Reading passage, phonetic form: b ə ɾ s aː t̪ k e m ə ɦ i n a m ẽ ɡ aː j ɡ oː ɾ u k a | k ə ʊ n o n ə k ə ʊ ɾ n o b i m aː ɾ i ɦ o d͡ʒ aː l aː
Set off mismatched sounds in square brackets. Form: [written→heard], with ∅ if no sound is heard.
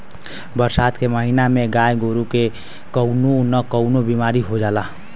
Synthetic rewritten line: b ə ɾ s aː t̪ k e m ə ɦ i n a m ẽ ɡ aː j ɡ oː ɾ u k [a→e] | k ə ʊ n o n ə k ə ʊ [ɾ→∅] n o b i m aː ɾ i ɦ o d͡ʒ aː l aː